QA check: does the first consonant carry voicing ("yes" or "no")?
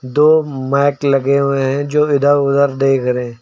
yes